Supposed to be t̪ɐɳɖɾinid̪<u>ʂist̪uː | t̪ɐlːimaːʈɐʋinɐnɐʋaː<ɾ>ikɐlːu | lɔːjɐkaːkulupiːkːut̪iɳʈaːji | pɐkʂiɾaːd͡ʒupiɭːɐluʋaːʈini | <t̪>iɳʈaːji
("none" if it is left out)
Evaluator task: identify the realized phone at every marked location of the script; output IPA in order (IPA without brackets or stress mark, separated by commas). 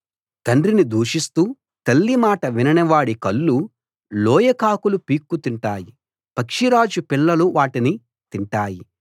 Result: uː, ɽ, t̪